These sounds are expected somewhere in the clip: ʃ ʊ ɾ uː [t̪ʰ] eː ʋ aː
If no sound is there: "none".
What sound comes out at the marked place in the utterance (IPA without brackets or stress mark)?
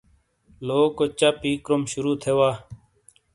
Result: t̪ʰ